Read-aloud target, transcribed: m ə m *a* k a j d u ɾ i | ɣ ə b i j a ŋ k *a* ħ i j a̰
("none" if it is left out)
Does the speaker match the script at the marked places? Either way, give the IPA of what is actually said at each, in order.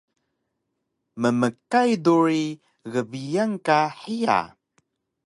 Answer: ə, a

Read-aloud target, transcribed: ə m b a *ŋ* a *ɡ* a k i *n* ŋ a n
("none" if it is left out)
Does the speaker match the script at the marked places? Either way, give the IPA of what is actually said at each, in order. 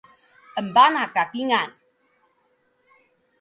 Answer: n, k, none

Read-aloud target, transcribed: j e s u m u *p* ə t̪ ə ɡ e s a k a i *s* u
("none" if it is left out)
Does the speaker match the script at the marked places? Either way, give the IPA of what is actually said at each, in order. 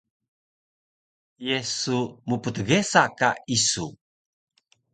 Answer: p, s

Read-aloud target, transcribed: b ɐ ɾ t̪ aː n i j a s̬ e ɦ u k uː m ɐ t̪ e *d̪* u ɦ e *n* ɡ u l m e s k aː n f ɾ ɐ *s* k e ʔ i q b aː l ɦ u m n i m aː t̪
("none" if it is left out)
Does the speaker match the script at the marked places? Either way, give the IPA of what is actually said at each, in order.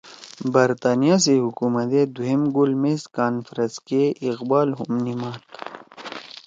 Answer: d̪, m, s

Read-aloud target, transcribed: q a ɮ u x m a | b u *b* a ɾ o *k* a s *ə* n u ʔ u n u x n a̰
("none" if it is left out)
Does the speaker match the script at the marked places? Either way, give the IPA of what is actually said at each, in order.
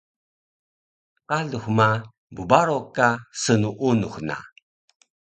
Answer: b, k, ə

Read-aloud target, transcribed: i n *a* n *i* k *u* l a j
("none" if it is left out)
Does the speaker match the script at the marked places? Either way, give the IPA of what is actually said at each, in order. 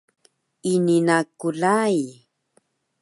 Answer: i, a, u

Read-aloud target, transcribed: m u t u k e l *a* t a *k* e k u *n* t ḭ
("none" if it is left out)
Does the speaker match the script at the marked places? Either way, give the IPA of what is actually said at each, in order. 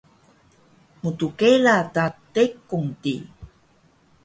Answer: a, t, ŋ

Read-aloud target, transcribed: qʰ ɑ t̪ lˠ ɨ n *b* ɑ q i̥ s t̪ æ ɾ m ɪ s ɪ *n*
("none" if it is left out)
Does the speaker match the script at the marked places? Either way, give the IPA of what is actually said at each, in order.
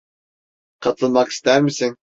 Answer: m, ŋ

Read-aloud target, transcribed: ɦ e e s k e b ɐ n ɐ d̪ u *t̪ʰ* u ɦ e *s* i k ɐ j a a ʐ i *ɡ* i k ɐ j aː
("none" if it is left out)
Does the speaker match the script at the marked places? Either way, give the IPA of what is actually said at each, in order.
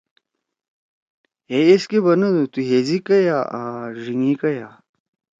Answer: t̪, z, ŋ

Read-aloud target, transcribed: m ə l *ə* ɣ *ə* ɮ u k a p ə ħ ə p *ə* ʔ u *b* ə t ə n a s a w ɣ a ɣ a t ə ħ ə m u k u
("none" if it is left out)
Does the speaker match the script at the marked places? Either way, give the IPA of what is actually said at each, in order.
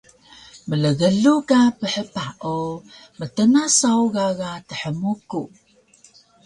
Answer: ə, ə, a, m

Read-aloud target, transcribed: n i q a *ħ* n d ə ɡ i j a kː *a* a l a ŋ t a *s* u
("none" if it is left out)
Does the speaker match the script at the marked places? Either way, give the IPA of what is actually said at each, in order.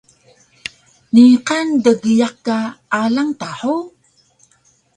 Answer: none, a, ħ

